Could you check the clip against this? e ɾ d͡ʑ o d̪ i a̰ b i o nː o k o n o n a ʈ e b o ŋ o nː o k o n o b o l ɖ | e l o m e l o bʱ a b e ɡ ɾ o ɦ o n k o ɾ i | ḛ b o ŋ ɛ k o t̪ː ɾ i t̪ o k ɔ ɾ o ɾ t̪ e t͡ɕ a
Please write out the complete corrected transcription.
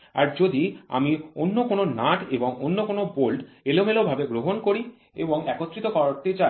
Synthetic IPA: a ɾ d͡ʑ o d̪ i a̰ m i o nː o k o n o n a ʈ e b o ŋ o nː o k o n o b o l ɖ | e l o m e l o bʱ a b e ɡ ɾ o ɦ o n k o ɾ i | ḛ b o ŋ ɛ k o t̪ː ɾ i t̪ o k ɔ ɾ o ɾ t̪ e t͡ɕ a